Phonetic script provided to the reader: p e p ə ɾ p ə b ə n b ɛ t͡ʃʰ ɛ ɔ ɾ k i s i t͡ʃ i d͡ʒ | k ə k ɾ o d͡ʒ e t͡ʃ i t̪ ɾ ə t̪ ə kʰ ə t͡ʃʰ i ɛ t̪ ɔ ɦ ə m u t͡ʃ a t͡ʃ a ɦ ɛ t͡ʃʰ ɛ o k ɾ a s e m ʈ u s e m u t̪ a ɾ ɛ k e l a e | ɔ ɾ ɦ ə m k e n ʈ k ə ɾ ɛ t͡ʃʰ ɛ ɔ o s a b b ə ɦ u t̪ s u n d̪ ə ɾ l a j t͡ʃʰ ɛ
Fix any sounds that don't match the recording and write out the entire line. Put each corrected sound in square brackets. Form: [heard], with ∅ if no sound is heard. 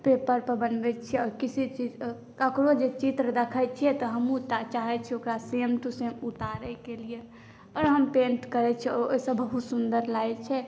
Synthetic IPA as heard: p e p ə ɾ p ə b ə n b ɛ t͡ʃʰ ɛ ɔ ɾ k i s i t͡ʃ i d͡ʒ | k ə k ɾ o d͡ʒ e t͡ʃ i t̪ ɾ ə [d̪] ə kʰ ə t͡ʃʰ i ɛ t̪ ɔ ɦ ə m u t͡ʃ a t͡ʃ a ɦ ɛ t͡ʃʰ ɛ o k ɾ a s e m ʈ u s e m u t̪ a ɾ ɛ k e l [i] e | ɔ ɾ ɦ ə m [p] e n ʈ k ə ɾ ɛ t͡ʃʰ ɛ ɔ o s [ə] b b ə ɦ u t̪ s u n d̪ ə ɾ l a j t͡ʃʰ ɛ